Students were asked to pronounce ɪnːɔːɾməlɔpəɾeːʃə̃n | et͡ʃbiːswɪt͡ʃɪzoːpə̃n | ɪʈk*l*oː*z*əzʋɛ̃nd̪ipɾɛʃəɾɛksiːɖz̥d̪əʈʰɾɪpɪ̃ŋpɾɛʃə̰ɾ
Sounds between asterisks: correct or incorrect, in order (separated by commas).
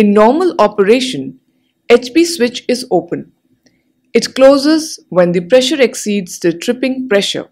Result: correct, correct